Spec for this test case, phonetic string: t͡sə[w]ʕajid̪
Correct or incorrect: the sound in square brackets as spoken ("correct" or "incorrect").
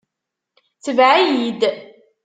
incorrect